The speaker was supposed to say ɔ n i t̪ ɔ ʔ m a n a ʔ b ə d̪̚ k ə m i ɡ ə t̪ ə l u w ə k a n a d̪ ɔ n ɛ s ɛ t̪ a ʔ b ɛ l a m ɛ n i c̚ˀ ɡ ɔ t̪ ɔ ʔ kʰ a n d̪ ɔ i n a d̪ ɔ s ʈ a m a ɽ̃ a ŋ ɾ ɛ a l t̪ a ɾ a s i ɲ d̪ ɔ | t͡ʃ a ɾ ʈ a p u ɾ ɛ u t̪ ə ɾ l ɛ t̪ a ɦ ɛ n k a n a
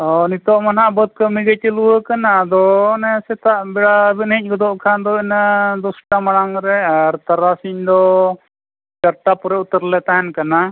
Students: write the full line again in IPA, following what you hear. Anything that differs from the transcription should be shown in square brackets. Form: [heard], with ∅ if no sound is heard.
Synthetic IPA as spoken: ɔ n i t̪ ɔ ʔ m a n a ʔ b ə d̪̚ k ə m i ɡ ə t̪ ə l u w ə k a n a d̪ ɔ n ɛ s ɛ t̪ a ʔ b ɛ [ɽ] a [b] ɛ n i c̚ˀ ɡ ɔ [d̪] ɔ ʔ kʰ a n d̪ ɔ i n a d̪ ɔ s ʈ a m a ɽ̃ a ŋ ɾ ɛ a [ɾ] t̪ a ɾ a s i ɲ d̪ ɔ | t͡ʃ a ɾ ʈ a p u ɾ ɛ u t̪ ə ɾ l ɛ t̪ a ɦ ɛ n k a n a